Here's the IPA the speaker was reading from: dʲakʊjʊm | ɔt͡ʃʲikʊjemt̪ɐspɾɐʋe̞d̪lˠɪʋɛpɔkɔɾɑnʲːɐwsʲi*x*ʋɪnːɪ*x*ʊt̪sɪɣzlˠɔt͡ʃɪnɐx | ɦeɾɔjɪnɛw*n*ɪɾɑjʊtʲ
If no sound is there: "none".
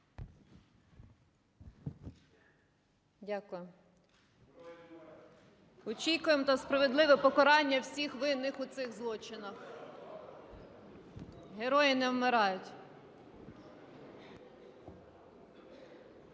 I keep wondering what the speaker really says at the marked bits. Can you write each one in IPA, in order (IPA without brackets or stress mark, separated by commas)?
x, x, m